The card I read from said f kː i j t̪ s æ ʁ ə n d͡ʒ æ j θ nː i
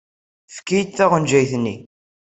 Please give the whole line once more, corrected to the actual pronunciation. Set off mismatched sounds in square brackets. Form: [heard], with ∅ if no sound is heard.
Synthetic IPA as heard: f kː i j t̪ [θ] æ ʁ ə n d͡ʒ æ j θ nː i